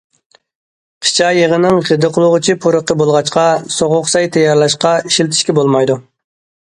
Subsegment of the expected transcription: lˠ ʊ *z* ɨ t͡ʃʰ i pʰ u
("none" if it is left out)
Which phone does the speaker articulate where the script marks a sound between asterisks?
ʁ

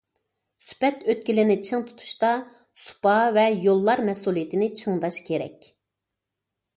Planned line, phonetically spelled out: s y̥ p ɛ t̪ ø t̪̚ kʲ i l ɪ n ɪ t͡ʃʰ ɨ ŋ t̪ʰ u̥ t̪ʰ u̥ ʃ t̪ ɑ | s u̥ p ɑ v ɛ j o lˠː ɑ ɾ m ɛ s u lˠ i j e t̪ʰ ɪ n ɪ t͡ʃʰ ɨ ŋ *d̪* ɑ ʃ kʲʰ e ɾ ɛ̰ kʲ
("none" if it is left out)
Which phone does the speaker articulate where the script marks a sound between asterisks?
d̪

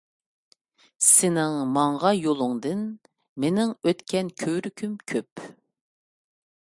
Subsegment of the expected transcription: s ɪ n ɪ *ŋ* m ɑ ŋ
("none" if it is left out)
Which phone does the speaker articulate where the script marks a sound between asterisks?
ŋ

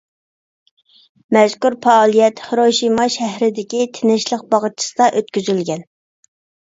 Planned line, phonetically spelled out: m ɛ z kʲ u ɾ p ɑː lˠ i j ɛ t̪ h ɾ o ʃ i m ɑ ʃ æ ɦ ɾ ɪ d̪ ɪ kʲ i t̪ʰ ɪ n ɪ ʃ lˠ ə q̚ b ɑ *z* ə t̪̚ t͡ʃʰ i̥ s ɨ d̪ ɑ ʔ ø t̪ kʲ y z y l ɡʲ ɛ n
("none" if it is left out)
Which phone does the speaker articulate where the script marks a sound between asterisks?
ʁ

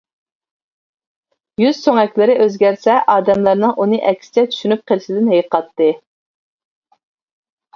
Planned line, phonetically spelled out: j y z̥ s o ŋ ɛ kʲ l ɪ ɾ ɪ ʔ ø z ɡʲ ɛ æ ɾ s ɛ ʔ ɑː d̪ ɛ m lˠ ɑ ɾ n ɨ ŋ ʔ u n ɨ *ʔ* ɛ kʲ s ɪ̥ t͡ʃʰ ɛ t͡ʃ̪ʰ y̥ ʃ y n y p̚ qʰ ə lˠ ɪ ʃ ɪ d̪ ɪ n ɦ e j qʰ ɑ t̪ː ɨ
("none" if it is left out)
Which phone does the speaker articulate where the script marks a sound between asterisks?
ʔ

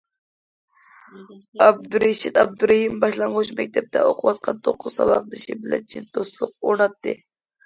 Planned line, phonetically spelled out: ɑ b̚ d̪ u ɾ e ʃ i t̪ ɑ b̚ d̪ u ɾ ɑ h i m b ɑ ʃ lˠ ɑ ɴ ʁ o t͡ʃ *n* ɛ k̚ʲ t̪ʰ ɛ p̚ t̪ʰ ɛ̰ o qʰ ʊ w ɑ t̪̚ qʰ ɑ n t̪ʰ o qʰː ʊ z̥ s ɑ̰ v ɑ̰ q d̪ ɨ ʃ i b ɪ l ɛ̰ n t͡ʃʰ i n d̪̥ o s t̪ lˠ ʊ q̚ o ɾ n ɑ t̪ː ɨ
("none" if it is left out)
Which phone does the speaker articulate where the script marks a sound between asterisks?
m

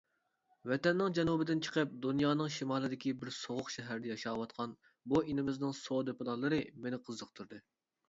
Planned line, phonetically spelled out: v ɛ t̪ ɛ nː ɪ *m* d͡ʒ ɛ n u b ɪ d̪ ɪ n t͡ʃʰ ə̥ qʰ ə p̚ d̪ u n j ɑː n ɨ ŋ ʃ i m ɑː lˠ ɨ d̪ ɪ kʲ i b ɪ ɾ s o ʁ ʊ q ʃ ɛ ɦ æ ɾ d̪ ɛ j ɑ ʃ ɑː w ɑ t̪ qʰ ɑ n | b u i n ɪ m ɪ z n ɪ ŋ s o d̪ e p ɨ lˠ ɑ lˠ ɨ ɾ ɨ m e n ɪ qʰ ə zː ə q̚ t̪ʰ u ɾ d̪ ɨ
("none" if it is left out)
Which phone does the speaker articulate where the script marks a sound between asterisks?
ŋ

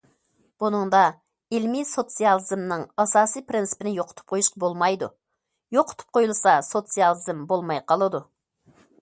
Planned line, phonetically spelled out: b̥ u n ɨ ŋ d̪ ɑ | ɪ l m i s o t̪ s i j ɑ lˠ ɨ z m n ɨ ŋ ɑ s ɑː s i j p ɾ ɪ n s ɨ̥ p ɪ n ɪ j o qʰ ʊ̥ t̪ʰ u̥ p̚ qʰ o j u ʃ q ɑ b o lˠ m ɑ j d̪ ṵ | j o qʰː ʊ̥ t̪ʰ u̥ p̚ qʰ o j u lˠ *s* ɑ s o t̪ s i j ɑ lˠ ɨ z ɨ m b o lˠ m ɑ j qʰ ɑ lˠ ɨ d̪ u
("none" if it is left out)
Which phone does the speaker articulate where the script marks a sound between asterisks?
s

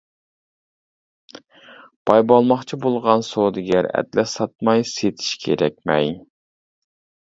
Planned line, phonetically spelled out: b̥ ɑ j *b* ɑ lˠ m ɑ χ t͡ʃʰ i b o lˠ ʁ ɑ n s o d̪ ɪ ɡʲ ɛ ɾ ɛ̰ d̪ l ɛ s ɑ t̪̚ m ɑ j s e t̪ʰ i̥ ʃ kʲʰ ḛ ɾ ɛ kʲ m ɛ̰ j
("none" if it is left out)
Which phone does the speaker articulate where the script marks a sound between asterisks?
b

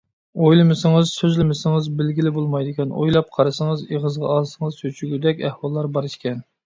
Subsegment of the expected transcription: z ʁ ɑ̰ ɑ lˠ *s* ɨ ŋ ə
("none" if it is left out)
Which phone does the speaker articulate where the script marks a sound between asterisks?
s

